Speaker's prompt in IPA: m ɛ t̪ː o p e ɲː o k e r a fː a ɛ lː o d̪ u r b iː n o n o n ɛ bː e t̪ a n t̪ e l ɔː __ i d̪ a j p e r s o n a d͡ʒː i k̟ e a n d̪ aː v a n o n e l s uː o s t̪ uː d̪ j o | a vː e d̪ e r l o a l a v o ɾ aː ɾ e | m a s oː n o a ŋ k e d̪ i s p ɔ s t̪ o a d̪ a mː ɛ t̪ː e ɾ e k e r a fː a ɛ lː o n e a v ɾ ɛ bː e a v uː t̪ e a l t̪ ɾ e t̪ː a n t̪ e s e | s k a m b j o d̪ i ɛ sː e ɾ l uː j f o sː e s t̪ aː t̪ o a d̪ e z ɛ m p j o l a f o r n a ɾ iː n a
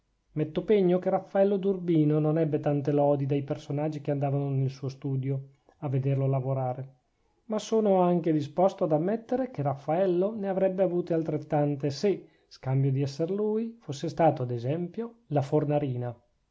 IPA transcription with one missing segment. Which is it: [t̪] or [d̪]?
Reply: d̪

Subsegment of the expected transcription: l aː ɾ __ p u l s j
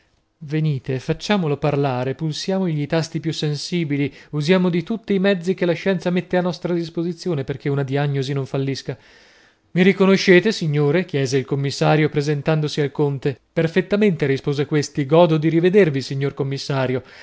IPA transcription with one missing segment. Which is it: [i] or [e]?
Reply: e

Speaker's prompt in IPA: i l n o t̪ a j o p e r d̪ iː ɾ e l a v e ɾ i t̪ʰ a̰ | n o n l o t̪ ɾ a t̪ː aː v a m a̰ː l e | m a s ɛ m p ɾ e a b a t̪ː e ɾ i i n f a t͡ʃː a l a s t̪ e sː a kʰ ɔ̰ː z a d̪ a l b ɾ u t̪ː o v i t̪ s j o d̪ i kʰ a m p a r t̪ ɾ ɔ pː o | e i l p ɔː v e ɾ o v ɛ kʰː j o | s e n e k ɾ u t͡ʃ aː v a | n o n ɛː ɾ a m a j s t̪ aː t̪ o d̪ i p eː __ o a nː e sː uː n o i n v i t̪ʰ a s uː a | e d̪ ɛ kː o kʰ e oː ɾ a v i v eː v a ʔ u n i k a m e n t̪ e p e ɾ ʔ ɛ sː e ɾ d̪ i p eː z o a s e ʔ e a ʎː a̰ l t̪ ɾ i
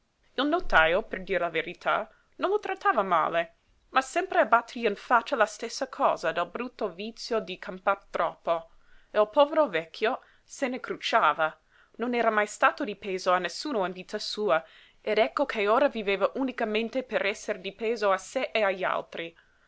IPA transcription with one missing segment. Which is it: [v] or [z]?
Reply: z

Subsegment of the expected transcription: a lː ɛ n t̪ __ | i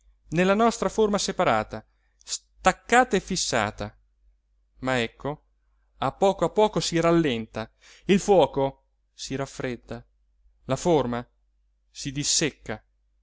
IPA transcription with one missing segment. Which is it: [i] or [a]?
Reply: a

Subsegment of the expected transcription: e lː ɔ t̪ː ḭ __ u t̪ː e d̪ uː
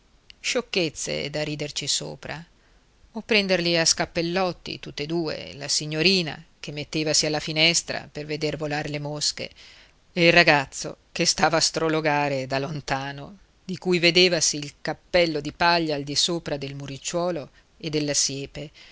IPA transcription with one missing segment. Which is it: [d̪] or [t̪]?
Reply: t̪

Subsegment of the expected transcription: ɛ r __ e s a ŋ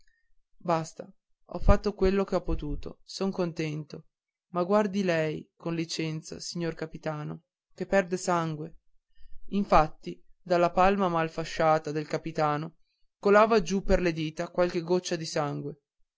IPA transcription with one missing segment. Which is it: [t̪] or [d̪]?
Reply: d̪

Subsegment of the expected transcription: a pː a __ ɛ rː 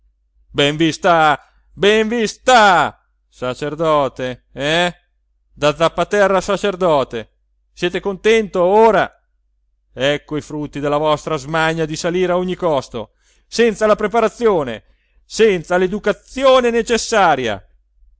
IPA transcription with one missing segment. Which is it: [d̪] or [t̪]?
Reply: t̪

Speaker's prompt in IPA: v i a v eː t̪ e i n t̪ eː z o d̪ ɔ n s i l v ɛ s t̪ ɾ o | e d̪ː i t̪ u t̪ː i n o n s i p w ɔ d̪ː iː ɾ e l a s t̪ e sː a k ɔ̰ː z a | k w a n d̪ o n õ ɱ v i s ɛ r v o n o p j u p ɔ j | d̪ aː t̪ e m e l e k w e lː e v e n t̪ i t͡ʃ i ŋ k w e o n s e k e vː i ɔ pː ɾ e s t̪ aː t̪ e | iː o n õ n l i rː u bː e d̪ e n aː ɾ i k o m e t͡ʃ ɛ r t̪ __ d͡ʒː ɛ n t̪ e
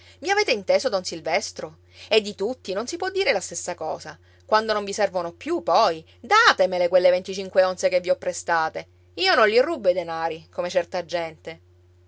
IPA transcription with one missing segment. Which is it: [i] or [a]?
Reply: a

